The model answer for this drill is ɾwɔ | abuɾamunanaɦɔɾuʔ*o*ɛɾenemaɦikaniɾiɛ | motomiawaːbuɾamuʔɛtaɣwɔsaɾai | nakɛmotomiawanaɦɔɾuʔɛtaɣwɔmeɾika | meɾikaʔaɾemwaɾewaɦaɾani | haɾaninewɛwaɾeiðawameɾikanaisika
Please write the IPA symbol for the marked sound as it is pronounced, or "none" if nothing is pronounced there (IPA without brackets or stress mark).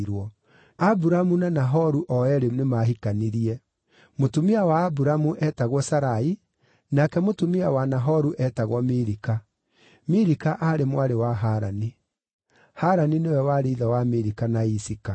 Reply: ɔ